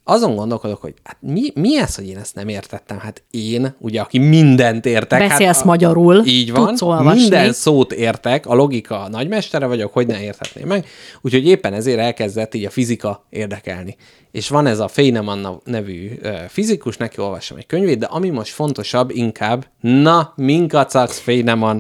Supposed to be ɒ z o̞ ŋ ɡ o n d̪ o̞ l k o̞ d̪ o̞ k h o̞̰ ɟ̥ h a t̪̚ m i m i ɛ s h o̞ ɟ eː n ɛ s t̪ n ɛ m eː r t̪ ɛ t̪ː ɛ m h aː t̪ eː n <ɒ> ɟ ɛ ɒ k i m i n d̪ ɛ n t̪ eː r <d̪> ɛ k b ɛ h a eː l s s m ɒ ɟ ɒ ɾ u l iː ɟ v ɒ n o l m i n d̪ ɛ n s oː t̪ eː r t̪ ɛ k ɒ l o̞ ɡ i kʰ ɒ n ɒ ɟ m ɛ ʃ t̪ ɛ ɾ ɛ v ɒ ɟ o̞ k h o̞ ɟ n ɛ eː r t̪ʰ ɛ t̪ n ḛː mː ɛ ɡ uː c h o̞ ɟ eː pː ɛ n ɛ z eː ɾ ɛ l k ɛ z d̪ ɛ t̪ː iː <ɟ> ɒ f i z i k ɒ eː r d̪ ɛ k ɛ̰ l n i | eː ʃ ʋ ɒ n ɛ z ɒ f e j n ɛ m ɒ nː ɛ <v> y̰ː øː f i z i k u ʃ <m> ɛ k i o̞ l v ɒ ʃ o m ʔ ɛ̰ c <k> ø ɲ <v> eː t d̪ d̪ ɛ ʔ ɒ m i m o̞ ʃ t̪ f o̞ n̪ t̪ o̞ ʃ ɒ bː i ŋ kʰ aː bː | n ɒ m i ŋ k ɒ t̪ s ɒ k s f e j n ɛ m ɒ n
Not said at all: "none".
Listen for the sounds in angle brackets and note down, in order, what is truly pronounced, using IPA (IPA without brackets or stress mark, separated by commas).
u, t̪, ɟ, v, n, k, v